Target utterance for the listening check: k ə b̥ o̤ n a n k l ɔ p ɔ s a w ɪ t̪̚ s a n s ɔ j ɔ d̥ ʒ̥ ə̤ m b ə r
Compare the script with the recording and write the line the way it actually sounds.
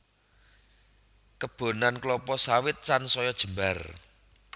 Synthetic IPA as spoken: k ə b̥ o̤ n a n k l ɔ p ɔ s a w ɪ t̪̚ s a n s ɔ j ɔ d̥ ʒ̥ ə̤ m b a r